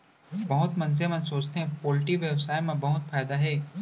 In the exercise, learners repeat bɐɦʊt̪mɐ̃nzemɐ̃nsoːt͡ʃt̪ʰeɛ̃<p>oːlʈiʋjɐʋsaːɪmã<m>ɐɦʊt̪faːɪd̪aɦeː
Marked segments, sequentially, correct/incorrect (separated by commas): correct, incorrect